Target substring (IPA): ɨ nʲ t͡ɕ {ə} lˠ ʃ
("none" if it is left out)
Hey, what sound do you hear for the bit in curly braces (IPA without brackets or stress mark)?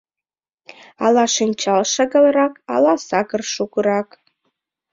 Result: ɑ